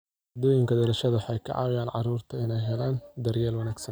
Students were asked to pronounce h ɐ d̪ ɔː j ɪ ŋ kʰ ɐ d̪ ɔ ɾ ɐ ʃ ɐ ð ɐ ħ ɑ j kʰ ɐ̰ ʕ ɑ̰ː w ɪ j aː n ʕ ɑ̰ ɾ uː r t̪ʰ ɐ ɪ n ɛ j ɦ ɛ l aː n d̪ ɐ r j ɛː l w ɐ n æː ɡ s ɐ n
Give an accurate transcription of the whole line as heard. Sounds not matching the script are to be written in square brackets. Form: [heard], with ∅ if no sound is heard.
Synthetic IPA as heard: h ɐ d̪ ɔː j ɪ ŋ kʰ ɐ d̪ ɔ ɾ ɐ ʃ ɐ ð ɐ ħ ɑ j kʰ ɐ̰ ʕ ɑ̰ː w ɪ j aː n ʕ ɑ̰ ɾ uː r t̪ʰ ɐ ɪ n ɛ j ɦ ɛ l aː n d̪ ɐ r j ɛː l w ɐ n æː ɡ s ɐ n